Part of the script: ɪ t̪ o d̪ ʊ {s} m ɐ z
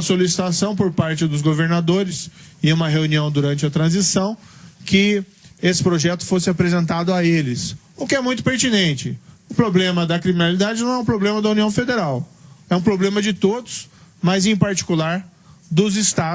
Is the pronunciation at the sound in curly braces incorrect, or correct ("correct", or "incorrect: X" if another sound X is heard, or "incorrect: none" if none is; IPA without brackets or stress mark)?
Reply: correct